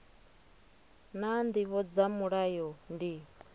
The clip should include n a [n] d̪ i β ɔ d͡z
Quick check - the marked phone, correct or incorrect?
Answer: correct